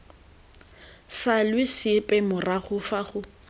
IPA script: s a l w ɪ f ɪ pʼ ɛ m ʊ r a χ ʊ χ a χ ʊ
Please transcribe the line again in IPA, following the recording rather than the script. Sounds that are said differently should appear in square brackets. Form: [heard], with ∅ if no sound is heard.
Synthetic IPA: s a l w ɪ [s] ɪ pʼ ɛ m ʊ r a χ ʊ [f] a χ ʊ